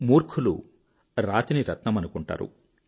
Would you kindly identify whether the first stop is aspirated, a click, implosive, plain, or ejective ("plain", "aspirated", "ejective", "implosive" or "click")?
aspirated